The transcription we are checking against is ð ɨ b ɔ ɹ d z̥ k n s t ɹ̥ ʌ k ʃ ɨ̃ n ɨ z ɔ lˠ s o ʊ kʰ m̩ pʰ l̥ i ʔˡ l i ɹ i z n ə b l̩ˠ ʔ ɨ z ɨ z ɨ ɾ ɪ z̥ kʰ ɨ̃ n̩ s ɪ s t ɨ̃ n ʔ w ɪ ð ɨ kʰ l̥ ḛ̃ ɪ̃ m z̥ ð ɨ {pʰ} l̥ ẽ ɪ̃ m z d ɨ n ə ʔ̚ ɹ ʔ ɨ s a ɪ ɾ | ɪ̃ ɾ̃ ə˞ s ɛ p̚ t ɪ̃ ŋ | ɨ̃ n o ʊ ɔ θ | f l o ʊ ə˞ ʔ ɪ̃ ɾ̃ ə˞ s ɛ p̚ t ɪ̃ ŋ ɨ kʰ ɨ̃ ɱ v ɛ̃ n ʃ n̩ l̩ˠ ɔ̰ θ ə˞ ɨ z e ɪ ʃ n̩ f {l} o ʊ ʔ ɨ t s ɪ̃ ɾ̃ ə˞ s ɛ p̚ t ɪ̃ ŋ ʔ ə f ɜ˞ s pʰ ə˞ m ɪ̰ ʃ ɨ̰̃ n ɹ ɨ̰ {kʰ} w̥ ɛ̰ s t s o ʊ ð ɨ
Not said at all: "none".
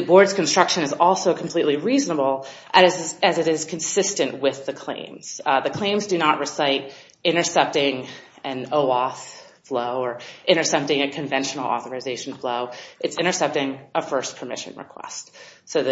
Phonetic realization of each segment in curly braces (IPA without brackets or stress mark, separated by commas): kʰ, l, kʰ